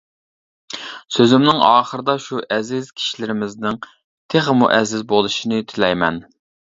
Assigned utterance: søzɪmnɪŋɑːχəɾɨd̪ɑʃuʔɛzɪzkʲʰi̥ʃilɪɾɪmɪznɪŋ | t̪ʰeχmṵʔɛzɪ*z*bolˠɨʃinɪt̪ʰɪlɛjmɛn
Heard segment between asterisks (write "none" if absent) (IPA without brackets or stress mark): z